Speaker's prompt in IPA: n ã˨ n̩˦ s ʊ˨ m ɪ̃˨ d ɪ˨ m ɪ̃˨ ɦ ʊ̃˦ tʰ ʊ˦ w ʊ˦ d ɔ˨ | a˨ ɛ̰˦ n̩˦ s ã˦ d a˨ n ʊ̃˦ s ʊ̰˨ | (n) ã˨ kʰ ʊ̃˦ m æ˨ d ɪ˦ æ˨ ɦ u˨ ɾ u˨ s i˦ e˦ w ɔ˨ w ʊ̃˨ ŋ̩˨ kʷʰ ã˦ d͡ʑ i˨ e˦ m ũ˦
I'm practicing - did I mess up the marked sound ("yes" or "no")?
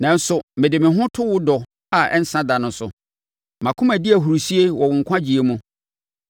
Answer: yes